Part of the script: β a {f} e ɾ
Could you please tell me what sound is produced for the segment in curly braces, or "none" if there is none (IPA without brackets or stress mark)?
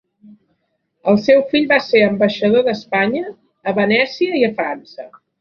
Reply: s